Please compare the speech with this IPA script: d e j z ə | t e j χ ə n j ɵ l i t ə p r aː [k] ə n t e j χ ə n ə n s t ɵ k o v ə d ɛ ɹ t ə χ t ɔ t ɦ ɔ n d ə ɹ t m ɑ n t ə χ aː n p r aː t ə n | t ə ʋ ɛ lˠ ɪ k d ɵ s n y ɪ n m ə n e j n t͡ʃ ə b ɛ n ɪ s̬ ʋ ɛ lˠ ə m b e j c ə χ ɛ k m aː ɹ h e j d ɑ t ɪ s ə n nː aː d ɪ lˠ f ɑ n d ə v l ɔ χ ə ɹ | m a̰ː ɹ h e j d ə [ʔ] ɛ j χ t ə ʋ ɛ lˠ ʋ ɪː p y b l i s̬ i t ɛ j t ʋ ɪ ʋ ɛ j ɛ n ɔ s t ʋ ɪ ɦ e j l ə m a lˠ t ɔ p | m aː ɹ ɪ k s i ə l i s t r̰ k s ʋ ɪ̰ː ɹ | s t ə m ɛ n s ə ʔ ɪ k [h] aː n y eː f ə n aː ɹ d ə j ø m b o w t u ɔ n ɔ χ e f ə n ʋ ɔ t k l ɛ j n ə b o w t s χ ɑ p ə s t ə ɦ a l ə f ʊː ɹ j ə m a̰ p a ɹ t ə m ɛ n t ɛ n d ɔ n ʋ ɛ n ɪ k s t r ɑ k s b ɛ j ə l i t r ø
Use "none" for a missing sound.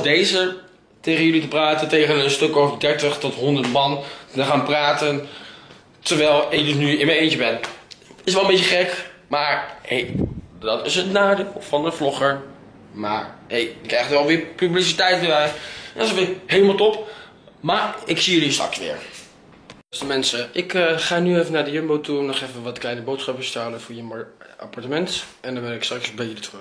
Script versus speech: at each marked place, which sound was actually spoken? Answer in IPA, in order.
t, k, χ

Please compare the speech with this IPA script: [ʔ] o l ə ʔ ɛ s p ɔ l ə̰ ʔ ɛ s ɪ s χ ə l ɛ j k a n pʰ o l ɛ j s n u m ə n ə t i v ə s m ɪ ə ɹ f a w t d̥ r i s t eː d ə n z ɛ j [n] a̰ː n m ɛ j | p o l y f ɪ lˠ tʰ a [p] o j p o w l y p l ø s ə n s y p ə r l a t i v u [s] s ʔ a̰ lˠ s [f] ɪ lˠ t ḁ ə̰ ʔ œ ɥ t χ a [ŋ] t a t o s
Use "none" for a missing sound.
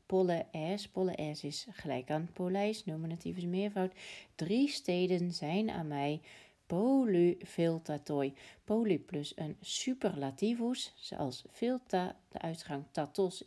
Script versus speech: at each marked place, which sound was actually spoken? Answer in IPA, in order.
p, n, t, s, f, ŋ

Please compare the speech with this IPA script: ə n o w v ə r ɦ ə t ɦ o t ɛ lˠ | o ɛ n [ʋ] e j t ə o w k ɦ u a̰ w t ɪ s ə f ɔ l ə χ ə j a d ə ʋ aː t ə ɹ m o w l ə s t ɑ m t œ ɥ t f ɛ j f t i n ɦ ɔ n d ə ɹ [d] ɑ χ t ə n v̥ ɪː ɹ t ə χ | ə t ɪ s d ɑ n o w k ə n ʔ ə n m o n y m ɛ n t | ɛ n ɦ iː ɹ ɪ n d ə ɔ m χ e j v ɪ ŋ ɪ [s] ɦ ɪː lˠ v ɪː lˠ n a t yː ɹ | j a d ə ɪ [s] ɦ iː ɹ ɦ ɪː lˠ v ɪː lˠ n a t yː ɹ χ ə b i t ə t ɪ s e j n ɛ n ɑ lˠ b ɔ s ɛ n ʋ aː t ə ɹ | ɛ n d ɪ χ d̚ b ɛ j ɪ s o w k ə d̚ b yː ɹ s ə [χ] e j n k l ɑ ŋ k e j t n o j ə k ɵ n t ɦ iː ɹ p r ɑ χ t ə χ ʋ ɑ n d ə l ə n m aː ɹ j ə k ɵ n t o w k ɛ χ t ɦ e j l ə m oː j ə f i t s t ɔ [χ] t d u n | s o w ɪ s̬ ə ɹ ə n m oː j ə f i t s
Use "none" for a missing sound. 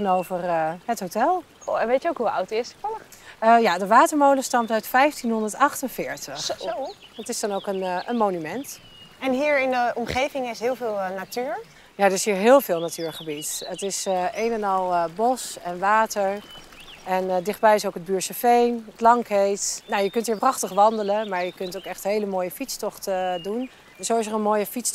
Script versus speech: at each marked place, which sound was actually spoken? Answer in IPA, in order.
ʋ, t, s, s, f, χ

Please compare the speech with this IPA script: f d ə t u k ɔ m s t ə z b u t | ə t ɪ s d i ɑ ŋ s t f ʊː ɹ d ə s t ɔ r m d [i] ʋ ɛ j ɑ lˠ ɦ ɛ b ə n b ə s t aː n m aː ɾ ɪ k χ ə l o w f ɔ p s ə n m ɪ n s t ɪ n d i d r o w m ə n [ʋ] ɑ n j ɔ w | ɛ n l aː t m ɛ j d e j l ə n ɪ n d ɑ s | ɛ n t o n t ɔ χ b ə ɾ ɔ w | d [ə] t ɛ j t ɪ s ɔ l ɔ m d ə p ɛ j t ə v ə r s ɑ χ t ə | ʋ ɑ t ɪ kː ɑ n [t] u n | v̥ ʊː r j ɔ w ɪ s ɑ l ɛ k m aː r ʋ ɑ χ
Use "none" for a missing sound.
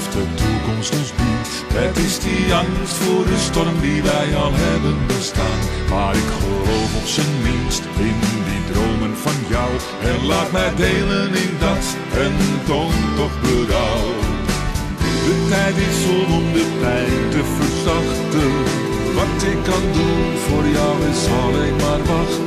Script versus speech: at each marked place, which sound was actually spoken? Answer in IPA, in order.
i, v, ə, d

